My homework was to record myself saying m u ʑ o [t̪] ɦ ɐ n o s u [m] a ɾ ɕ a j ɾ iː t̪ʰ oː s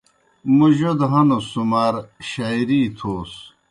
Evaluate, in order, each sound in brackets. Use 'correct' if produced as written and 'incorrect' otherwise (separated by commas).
incorrect, correct